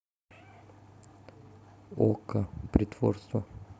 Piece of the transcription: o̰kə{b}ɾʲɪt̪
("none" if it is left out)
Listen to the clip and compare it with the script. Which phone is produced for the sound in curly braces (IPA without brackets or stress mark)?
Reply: p